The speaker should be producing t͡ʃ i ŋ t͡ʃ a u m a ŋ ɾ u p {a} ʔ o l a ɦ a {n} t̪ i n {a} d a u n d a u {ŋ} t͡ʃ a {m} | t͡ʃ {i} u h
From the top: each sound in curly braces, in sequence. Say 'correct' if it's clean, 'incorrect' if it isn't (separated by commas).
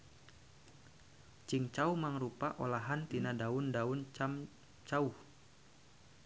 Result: correct, correct, correct, incorrect, correct, incorrect